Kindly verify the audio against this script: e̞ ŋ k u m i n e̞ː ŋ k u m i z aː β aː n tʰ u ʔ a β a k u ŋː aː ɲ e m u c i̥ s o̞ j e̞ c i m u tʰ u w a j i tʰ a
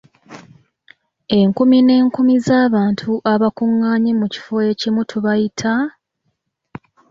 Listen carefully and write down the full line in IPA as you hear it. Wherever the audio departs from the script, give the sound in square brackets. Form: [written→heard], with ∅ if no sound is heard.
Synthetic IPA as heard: e̞ ŋ k u m i n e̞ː ŋ k u m i z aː β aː n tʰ u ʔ a β a k u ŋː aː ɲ e m u c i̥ [s→f] o̞ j e̞ c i m u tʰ u [w→β] a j i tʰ a